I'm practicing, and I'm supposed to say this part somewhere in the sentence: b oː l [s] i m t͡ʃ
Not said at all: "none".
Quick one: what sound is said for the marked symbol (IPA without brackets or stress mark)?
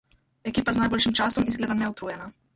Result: ʃ